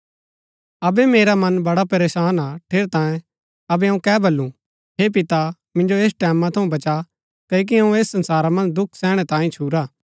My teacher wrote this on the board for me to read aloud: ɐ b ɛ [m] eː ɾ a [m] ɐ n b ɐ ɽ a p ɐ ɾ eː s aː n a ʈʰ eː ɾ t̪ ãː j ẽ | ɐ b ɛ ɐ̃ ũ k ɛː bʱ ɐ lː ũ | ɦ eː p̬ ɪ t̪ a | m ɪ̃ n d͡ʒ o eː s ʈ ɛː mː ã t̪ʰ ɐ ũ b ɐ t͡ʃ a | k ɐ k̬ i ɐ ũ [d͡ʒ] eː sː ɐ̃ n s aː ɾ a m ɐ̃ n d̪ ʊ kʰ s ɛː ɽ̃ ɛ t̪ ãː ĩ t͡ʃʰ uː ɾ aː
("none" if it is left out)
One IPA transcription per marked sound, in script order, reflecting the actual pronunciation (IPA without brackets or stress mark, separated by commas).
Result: m, m, none